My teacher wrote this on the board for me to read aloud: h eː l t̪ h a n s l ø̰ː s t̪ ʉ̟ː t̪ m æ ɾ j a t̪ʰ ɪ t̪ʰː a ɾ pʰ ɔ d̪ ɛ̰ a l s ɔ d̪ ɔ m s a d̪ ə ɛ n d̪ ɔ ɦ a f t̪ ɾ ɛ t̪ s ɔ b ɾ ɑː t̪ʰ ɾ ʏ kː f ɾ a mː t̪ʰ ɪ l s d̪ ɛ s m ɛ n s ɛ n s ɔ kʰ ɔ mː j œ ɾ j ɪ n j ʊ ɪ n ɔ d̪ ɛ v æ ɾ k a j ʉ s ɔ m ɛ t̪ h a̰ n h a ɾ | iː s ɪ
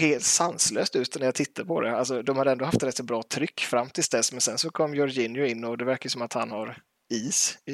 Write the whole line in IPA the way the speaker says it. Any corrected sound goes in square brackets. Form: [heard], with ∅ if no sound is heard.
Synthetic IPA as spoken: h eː l t̪ [s] a n s l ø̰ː s t̪ ʉ̟ː t̪ [n] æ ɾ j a t̪ʰ ɪ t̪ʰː a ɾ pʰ ɔ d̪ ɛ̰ a l s ɔ d̪ ɔ m [h] a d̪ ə ɛ n d̪ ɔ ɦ a f t̪ ɾ ɛ t̪ s ɔ b ɾ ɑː t̪ʰ ɾ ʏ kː f ɾ a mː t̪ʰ ɪ l s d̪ ɛ s m ɛ n s ɛ n s ɔ kʰ ɔ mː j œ ɾ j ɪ n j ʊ ɪ [nː] ɔ d̪ ɛ v æ ɾ k a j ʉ s ɔ m [a] t̪ h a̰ n h a ɾ | iː s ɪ